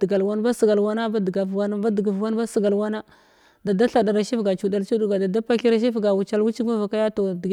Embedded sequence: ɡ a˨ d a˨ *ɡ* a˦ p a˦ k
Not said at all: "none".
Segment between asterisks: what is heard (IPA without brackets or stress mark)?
d